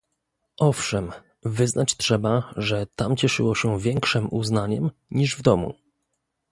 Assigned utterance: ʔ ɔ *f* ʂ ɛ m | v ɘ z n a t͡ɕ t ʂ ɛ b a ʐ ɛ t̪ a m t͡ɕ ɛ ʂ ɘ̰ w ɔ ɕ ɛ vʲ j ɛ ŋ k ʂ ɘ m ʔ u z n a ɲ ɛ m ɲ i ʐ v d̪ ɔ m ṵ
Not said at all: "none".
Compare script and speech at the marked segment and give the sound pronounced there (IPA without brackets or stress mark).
f